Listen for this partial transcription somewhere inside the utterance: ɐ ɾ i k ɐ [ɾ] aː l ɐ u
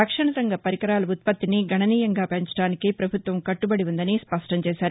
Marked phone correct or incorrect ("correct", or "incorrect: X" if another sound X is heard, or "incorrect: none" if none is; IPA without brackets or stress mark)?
correct